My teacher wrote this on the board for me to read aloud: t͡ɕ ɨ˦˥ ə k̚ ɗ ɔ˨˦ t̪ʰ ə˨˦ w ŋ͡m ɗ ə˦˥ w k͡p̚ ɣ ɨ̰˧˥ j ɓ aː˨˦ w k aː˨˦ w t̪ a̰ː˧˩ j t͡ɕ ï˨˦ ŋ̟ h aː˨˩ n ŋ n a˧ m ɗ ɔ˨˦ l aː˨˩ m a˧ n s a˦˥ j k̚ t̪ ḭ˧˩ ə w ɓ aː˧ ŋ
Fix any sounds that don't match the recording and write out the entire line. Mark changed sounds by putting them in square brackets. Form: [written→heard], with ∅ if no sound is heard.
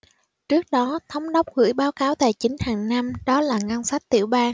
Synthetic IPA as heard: t͡ɕ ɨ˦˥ ə k̚ ɗ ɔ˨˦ t̪ʰ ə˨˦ w ŋ͡m ɗ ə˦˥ w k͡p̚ ɣ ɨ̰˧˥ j ɓ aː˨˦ w k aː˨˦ w t̪ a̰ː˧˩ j t͡ɕ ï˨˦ ŋ̟ h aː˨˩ [n→∅] ŋ n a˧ m ɗ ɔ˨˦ l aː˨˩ [m→ŋ] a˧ n s a˦˥ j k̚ t̪ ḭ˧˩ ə w ɓ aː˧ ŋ